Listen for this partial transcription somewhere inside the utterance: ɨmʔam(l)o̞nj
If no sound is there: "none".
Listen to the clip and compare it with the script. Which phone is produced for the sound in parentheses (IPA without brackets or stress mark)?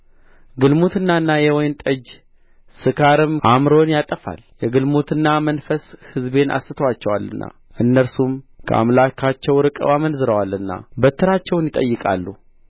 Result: ɾ